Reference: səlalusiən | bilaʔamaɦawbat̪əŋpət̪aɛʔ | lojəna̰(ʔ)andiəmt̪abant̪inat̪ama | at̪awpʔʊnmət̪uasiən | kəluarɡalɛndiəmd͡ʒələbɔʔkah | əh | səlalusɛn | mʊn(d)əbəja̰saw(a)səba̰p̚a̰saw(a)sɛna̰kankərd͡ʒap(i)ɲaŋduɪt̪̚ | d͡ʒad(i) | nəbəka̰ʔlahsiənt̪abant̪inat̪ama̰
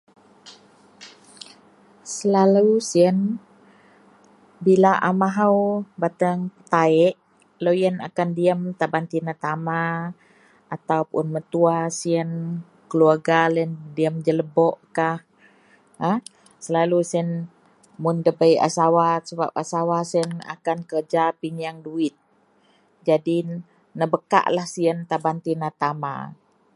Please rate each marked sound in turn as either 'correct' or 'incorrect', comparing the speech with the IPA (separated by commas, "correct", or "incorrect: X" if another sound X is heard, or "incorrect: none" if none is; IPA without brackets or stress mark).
incorrect: k, correct, correct, correct, correct, correct